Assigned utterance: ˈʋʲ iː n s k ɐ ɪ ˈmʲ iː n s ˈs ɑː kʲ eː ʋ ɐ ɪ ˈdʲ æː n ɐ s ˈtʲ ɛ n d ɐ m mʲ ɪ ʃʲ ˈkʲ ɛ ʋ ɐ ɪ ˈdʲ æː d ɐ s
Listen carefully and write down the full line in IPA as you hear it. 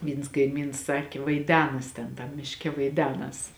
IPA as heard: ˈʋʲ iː n s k ɐ ɪ ˈmʲ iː n s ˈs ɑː kʲ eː ʋ ɐ ɪ ˈdʲ æː n ɐ s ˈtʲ ɛ n t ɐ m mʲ ɪ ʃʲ ˈkʲ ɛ ʋ ɐ ɪ ˈdʲ æː n ɐ s